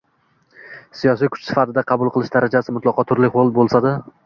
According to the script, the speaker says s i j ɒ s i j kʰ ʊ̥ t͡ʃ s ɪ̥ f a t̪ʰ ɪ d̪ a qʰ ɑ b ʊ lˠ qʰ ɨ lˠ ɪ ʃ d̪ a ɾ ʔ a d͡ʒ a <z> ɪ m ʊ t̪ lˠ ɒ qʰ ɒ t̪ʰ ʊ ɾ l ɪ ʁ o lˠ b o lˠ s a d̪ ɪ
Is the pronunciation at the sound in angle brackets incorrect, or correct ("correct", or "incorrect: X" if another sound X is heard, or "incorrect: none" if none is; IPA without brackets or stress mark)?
incorrect: s